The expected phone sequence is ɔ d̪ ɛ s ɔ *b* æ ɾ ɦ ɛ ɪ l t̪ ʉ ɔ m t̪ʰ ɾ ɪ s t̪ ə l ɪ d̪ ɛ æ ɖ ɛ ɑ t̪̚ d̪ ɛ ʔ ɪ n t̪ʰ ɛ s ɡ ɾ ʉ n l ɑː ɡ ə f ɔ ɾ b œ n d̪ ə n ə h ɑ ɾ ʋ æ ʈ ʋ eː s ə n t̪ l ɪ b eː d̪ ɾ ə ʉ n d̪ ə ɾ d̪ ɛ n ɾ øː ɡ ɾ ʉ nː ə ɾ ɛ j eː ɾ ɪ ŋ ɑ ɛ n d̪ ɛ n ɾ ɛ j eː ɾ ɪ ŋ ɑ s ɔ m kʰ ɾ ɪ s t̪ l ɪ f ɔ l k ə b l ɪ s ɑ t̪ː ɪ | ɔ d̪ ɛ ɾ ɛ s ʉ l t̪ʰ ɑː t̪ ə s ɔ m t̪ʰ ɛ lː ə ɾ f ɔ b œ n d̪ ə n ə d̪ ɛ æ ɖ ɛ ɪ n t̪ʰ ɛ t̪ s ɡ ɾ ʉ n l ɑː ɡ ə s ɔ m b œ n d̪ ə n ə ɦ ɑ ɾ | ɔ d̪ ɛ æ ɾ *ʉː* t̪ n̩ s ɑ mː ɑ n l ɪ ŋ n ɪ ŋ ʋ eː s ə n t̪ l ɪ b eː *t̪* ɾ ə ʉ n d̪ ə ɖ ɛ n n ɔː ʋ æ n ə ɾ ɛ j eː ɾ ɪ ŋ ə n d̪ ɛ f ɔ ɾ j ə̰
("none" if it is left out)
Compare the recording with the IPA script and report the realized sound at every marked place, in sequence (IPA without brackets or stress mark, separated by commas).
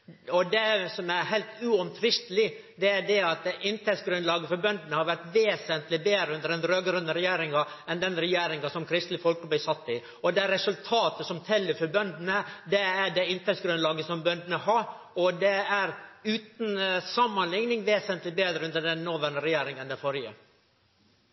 m, ʉː, d̪